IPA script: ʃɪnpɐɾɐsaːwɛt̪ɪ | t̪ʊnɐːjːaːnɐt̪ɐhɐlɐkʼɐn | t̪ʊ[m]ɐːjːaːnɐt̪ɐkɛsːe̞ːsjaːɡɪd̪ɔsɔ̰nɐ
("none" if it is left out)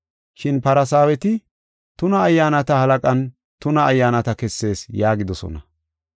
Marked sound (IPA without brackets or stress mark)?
n